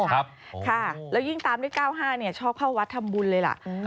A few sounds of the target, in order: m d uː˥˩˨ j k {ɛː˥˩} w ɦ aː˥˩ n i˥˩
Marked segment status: incorrect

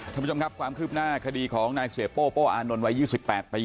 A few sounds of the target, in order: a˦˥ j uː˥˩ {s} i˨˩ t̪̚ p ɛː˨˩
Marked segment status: correct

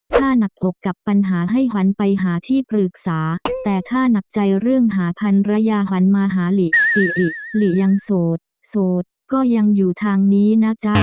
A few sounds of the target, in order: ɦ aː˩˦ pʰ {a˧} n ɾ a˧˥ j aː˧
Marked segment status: correct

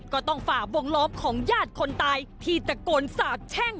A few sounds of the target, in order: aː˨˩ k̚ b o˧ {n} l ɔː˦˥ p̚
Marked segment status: incorrect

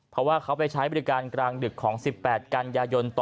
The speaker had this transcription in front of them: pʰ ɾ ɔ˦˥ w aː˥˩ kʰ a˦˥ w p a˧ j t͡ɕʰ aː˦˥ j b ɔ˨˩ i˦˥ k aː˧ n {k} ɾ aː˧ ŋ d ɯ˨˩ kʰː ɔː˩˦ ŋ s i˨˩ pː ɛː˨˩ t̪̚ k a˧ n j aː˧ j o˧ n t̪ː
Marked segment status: correct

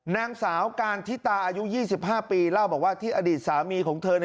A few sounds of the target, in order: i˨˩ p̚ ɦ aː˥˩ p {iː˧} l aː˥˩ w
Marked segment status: correct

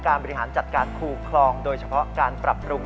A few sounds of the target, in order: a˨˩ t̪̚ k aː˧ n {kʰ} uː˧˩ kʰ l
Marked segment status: correct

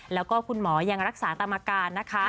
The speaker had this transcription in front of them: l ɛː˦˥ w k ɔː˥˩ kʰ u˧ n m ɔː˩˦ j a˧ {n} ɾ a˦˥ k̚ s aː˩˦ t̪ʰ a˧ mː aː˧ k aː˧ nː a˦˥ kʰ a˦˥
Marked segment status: incorrect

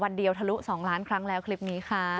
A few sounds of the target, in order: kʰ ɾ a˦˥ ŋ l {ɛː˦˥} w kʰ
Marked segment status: correct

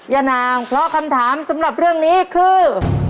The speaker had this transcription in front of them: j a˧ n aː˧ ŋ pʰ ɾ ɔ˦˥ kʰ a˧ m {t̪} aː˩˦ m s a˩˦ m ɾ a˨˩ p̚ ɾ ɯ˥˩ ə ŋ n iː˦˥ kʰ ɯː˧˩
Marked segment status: incorrect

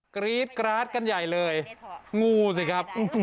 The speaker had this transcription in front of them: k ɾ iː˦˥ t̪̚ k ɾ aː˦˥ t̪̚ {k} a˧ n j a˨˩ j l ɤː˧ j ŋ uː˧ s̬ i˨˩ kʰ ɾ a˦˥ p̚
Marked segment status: correct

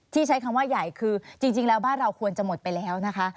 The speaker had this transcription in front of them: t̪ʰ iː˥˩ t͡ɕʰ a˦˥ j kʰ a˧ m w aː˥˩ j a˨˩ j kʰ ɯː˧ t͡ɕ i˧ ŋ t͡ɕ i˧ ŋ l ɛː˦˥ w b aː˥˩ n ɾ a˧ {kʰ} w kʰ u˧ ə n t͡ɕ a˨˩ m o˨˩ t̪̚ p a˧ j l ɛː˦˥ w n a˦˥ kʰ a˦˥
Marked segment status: incorrect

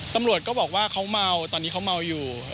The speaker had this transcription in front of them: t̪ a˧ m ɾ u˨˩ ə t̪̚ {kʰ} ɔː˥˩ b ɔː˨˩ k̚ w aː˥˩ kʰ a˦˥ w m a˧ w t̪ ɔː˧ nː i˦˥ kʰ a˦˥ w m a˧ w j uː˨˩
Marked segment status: incorrect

